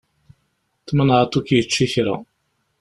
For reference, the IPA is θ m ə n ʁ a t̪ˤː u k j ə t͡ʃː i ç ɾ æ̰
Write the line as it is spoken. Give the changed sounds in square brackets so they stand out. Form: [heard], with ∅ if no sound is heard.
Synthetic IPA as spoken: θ m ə n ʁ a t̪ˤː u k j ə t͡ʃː i ç ɾ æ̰